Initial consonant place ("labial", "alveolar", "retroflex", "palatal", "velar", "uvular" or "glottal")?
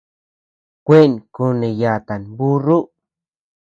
velar